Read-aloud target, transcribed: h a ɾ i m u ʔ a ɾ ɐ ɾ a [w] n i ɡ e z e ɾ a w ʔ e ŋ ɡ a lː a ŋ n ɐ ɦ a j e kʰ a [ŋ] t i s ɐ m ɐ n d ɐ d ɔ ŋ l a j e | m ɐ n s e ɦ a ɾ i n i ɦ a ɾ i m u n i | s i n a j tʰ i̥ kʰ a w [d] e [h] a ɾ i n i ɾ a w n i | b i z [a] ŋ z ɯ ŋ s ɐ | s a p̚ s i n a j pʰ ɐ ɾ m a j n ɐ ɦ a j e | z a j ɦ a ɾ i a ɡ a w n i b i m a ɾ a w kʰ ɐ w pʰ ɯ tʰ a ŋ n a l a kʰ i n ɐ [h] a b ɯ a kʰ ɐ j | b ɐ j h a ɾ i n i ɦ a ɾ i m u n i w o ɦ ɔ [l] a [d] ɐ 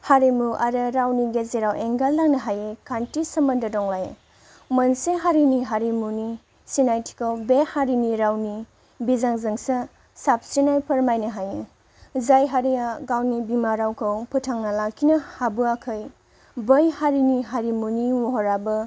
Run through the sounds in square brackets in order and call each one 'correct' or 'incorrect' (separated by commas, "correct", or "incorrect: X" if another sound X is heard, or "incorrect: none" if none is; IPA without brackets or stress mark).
correct, incorrect: n, incorrect: b, correct, correct, correct, incorrect: ɾ, incorrect: b